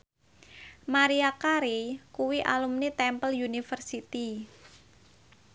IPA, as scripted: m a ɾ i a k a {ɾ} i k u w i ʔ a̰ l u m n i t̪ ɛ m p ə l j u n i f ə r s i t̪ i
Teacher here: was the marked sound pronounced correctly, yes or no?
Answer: yes